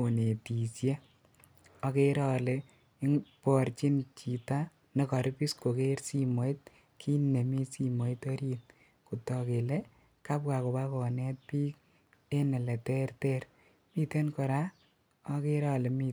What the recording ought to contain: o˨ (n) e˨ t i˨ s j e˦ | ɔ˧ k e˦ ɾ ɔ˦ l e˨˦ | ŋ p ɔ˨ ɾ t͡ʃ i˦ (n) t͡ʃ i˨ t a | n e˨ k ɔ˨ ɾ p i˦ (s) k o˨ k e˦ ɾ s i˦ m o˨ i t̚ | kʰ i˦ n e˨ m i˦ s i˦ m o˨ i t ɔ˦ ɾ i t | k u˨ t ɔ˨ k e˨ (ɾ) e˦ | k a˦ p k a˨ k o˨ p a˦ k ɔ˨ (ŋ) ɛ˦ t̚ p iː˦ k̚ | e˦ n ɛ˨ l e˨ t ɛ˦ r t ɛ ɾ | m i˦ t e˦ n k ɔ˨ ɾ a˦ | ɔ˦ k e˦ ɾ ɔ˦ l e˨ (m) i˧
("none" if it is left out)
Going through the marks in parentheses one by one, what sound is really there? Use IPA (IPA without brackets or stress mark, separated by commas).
n, n, s, l, n, m